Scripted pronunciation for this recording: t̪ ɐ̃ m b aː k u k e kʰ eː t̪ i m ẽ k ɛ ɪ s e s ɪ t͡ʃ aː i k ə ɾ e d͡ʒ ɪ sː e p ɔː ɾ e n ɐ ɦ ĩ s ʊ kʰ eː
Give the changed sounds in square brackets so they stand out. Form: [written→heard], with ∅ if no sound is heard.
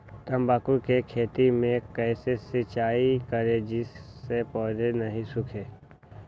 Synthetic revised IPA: t̪ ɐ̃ m b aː k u k e kʰ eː t̪ i m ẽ k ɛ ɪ s e s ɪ t͡ʃ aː i k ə ɾ e d͡ʒ ɪ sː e p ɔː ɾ e n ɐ ɦ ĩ s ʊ kʰ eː

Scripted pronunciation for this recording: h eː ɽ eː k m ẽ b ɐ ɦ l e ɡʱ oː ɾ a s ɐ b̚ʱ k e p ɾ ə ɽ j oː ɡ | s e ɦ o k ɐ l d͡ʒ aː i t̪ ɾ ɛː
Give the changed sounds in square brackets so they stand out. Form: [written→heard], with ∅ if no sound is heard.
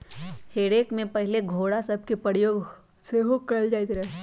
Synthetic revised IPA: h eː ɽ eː k m ẽ [b→p] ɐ ɦ l e ɡʱ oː [ɾ→ɽ] a s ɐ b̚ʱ k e p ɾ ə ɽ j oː ɡ | s e ɦ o k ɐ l d͡ʒ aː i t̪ ɾ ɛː

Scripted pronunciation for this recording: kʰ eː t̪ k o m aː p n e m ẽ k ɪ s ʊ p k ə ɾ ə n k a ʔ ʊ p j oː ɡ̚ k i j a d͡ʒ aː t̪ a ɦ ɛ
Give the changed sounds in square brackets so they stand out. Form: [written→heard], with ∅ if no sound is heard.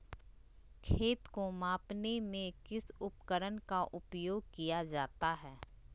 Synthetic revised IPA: kʰ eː t̪ k o m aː p n e m ẽ k ɪ s ʊ p k ə ɾ ə n k a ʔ ʊ p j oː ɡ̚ k i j a d͡ʒ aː t̪ a ɦ [ɛ→ɛː]

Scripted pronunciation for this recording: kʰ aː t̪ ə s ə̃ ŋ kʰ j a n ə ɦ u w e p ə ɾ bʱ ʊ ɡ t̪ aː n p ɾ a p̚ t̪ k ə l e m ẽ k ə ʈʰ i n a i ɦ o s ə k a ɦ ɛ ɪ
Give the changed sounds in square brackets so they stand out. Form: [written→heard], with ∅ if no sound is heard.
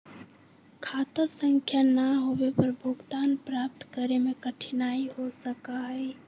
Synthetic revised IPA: kʰ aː t̪ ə s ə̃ ŋ kʰ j a n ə ɦ [u→o] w e p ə ɾ bʱ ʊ ɡ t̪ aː n p ɾ a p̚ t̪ k ə [l→ɾ] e m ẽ k ə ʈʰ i n a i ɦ o s ə k a ɦ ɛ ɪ

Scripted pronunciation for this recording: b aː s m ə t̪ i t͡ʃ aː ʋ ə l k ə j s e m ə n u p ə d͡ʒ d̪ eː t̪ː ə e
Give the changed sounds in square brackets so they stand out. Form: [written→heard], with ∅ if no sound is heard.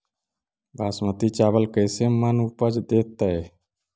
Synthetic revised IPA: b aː s m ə t̪ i t͡ʃ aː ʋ ə l k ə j s e m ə n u p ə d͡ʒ d̪ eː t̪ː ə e

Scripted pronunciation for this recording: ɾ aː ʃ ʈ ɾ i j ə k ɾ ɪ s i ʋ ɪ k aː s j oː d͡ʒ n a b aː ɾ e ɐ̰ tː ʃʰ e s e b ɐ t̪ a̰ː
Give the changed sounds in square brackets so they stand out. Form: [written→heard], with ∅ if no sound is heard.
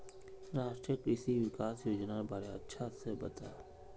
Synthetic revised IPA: ɾ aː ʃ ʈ ɾ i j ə k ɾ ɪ s i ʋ ɪ k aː s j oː d͡ʒ n a b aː ɾ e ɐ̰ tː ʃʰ [e→a] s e b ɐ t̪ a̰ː

